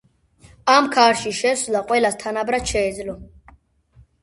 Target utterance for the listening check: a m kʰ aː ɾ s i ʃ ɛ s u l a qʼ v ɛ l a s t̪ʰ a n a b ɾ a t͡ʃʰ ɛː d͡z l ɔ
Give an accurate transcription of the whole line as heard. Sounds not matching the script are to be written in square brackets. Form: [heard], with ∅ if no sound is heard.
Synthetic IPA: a m kʰ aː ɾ [ʃ] i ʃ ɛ s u l a qʼ [w] ɛ l a s t̪ʰ a n a b ɾ a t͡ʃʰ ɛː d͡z l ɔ